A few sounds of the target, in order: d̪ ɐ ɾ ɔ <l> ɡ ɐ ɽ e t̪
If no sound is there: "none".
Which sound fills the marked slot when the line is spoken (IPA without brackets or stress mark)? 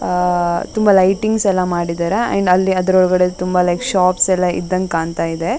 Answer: ɭ